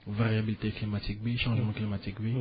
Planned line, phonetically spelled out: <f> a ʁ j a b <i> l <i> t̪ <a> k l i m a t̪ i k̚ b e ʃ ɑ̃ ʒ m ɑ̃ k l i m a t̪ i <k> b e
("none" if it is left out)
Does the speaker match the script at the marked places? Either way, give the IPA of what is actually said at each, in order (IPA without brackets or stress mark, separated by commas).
v, i, i, e, k